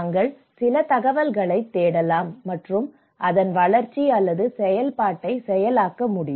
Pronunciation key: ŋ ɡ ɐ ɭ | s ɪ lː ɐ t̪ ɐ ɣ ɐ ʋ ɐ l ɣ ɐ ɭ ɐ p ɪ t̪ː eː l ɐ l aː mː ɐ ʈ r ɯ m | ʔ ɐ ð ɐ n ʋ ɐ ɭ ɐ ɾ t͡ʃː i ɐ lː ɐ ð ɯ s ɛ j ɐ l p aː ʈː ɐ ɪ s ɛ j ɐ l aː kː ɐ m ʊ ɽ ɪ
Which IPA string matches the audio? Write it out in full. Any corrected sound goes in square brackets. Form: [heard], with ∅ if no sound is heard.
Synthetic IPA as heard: ŋ ɡ ɐ ɭ | s ɪ [l] ɐ t̪ ɐ ɣ ɐ ʋ ɐ l ɣ ɐ ɭ ɐ [∅] ɪ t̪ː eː [ɽ] ɐ l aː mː ɐ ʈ r ɯ m | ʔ ɐ ð ɐ n ʋ ɐ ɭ ɐ ɾ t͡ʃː i ɐ lː ɐ ð ɯ s ɛ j ɐ l p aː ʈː ɐ ɪ s ɛ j ɐ l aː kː ɐ m ʊ ɽ ɪ